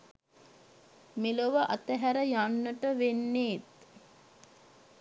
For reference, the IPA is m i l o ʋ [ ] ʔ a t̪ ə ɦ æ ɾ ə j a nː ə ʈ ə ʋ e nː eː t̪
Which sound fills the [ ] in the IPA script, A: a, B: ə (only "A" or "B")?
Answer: B